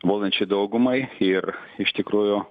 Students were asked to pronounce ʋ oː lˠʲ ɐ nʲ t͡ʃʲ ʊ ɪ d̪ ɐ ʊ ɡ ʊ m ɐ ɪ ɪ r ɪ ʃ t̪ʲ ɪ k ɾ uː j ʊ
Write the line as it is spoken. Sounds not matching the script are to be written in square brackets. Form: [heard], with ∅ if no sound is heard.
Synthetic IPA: ʋ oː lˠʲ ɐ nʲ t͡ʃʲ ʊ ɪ d̪ ɐ ʊ ɡ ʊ m ɐ ɪ ɪ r ɪ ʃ t̪ʲ ɪ k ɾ uː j ʊ